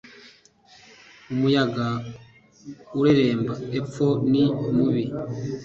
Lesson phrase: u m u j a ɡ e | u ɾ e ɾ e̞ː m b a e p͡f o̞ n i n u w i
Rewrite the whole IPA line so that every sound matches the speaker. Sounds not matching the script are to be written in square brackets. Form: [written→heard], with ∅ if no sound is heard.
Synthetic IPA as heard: u m u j a ɡ [e→a] | u ɾ e ɾ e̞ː m b a e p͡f o̞ n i [n→m] u [w→β] i

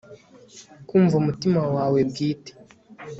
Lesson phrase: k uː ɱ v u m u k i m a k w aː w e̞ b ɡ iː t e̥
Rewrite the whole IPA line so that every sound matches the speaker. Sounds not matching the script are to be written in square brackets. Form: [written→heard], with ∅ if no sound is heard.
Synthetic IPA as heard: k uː ɱ v u m u [k→t] i m a [k→∅] w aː w e̞ b ɡ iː t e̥

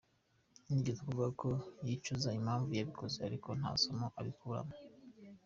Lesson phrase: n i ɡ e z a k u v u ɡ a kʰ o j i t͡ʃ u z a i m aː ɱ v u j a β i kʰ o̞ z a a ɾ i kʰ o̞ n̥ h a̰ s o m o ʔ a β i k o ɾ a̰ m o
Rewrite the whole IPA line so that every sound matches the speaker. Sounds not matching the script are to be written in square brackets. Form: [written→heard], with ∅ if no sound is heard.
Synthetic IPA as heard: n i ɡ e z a k u v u ɡ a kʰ o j i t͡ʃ u z a i m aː ɱ v u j a β i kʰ o̞ z [a→e] a ɾ i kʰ o̞ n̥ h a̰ s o m o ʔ a β i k [o→u] ɾ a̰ m o

